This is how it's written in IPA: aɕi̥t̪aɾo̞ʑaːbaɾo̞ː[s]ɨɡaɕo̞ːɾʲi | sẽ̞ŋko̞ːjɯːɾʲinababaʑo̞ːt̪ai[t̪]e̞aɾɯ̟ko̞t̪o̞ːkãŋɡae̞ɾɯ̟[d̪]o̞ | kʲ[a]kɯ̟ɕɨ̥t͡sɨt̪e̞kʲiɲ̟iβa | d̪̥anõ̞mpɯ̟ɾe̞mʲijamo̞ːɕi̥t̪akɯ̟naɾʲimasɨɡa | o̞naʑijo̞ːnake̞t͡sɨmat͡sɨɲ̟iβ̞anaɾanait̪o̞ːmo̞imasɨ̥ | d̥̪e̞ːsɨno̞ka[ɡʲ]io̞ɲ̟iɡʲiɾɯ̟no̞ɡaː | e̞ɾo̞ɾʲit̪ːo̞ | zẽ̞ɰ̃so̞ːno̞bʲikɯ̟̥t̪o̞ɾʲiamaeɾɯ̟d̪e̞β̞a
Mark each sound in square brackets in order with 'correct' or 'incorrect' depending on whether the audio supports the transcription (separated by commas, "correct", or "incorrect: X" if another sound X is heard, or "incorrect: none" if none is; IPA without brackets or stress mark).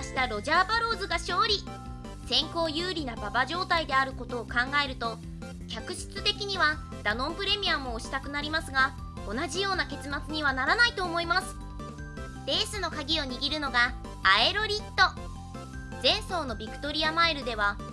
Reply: incorrect: z, incorrect: d̪, incorrect: t̪, correct, correct